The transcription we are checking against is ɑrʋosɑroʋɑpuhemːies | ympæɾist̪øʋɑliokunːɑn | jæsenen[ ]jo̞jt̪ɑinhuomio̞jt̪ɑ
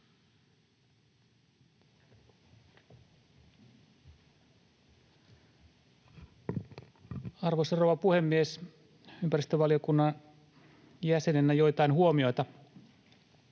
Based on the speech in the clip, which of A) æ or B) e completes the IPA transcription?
A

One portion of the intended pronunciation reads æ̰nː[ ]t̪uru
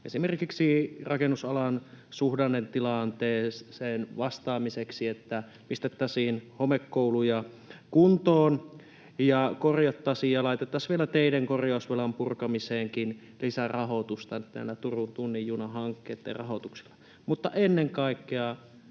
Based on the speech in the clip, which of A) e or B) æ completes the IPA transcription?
B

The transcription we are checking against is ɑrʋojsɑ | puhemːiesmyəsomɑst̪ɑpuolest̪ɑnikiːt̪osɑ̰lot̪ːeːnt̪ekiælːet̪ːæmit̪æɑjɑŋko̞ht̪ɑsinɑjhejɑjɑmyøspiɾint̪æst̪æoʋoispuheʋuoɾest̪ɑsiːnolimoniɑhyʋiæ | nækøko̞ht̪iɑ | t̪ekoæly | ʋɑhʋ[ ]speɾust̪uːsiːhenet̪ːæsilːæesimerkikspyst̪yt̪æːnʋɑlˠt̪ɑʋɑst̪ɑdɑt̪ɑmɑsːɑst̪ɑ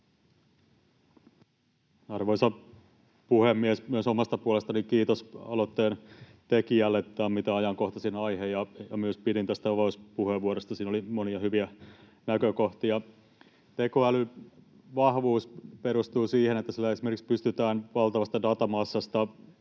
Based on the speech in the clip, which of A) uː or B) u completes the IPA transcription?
A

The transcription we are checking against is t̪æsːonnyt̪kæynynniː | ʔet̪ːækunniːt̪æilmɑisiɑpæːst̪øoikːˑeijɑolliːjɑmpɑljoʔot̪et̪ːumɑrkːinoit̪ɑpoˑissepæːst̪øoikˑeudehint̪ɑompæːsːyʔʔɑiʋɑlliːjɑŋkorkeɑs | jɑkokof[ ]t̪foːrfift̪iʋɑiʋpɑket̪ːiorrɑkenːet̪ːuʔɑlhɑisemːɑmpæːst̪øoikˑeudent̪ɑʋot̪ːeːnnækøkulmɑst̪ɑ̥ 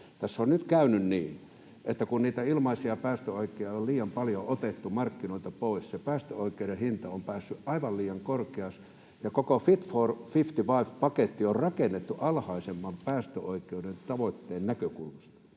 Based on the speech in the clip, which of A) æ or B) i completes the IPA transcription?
B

